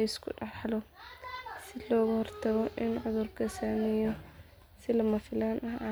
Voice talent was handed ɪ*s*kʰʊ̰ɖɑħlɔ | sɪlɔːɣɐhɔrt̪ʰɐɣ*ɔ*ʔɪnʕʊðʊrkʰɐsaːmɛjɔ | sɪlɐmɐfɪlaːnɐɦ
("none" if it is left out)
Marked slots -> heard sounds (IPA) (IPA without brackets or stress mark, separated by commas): s, ɔ